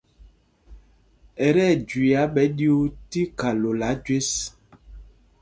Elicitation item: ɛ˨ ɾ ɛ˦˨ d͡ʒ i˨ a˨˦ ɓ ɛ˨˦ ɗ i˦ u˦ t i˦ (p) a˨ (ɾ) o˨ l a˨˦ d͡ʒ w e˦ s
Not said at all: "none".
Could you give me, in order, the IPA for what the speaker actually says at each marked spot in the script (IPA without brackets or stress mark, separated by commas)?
k, l